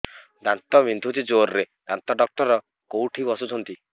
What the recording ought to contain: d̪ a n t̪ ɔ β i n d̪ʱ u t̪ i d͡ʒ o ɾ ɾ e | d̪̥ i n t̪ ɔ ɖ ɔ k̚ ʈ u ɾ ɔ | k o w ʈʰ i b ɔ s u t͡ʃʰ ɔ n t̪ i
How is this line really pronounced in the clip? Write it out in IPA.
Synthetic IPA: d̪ a n t̪ ɔ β i n d̪ʱ u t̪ i d͡ʒ o ɾ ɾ e | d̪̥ a n t̪ ɔ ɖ ɔ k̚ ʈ ɔ ɾ ɔ | k o w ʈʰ i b ɔ s u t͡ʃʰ ɔ n t̪ i